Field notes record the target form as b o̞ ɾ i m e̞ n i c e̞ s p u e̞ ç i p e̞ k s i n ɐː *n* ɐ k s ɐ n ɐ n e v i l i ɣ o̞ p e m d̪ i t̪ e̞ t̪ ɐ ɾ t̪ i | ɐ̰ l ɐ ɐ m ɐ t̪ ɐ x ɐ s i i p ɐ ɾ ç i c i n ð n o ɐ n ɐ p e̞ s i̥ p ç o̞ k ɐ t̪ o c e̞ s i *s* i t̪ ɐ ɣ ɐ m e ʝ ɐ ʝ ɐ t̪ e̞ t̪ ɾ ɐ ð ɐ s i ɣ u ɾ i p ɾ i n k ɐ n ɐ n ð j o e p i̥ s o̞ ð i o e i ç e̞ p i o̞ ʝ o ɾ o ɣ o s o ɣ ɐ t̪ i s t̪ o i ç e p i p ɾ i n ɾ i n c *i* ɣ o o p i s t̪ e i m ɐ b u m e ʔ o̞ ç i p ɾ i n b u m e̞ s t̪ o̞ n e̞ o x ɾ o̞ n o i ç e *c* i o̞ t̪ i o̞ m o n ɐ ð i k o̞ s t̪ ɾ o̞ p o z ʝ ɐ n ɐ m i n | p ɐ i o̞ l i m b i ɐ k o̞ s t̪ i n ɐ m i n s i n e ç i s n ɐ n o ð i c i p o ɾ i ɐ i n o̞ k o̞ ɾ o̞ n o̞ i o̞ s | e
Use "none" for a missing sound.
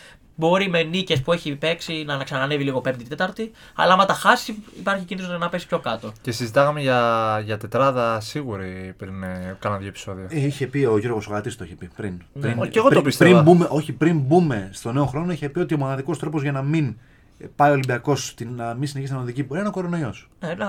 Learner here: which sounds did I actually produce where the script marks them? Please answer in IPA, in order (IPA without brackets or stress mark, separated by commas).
n, z, e, p